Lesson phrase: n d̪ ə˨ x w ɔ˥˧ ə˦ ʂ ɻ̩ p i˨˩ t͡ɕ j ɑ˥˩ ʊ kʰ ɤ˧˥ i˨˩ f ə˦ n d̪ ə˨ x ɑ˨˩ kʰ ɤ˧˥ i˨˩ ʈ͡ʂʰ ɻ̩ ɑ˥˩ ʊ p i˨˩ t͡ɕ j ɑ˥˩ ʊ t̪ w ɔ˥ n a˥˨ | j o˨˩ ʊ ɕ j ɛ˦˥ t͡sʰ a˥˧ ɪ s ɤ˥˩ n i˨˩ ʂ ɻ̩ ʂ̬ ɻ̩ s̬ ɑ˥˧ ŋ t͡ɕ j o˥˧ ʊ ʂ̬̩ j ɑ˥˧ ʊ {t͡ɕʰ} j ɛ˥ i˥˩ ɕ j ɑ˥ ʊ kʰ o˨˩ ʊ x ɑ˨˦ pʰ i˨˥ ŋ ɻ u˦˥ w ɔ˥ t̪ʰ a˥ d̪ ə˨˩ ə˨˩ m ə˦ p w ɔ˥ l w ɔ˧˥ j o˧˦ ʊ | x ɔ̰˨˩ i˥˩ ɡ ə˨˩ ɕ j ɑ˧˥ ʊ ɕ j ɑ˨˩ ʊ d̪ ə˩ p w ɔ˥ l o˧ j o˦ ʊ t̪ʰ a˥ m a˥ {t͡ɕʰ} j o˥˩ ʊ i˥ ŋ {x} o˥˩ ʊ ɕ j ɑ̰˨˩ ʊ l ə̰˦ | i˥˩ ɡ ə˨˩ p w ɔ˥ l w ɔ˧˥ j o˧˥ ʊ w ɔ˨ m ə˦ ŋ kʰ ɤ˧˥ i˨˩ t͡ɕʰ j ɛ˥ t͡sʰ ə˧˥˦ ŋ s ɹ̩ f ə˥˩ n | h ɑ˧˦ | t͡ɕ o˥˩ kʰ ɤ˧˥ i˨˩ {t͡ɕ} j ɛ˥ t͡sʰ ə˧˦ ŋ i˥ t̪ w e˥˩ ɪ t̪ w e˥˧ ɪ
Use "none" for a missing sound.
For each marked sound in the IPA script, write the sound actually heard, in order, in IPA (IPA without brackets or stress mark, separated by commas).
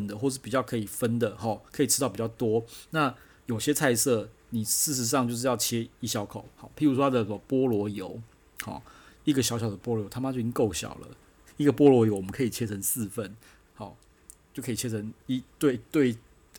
t͡ɕʰ, t͡ɕ, k, t͡ɕʰ